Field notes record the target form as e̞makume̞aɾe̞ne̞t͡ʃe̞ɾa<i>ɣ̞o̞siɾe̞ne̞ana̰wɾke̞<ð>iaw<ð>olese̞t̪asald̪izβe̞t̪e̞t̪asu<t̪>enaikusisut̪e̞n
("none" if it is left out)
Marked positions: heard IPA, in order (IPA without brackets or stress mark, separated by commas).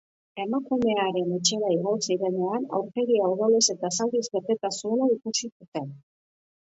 i, ɣ, ð, none